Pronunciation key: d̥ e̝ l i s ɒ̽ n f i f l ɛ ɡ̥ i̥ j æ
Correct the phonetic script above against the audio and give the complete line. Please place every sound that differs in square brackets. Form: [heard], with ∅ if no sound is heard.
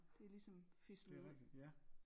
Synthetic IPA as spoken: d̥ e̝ l i s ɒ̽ [m] f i [s] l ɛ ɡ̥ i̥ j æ